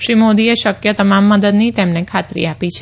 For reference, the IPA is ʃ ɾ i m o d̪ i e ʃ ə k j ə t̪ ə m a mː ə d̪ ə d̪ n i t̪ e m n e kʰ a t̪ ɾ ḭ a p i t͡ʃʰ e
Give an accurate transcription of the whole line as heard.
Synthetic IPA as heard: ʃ ɾ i m o d̪ i e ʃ ə k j ə t̪ ə m a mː ə d̪ ə d̪ n i t̪ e m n e kʰ a t̪ ɾ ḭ a p i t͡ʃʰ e